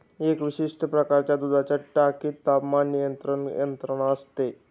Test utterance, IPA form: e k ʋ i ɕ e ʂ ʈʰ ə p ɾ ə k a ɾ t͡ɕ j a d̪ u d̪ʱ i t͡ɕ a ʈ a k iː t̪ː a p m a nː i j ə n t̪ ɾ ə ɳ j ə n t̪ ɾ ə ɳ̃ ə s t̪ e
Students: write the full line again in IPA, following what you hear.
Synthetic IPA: e k ʋ i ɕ i ʂ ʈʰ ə p ɾ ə k a ɾ t͡ɕ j a d̪ u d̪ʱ a t͡ɕ a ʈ a k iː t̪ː a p m a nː i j ə n t̪ ɾ ə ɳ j ə n t̪ ɾ ə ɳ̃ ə s t̪ e

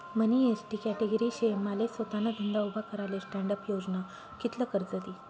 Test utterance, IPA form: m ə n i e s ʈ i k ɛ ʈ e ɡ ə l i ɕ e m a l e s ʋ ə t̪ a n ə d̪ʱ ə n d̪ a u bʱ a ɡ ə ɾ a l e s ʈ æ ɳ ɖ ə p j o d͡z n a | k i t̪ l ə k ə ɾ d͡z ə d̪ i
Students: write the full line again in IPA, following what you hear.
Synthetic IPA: m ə n i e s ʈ i k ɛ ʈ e ɡ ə ɾ i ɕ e m a l e s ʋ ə t̪ a n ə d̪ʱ ə n d̪ a u bʱ a k ə ɾ a l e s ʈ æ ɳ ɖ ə p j o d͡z n a | k i t̪ l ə k ə ɾ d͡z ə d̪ i

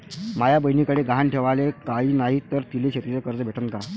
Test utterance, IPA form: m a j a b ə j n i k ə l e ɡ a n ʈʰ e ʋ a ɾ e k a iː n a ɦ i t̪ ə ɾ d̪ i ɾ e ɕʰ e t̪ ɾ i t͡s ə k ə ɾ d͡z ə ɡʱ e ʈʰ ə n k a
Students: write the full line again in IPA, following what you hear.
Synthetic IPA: m a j a b ə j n i k ə ɽ e ɡ a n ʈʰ e ʋ a l e k a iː n a ɦ i t̪ ə ɾ t̪ i l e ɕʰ e t̪ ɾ i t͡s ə k ə ɾ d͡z ə bʱ e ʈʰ ə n k a

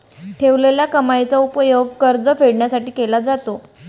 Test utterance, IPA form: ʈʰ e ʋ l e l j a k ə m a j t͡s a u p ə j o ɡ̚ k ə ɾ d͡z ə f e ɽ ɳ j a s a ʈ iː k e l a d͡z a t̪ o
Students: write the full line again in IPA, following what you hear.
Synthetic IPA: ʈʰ e ʋ l e l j a k ə m a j t͡s a u p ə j o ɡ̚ k ə ɾ d͡z ə f e ɽ ɳ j a s a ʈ iː k e l a d͡z a t̪ o

